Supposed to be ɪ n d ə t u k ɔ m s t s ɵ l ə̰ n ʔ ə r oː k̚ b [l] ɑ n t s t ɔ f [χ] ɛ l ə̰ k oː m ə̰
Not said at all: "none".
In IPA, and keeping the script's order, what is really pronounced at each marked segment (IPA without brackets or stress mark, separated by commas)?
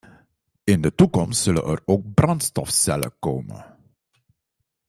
r, s